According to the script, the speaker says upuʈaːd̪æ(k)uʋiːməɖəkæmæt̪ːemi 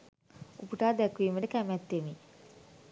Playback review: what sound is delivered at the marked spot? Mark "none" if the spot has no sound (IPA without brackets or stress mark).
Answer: k